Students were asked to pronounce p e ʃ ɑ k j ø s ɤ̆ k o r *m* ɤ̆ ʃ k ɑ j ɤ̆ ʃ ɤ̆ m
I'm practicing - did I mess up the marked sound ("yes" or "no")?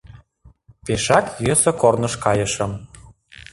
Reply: yes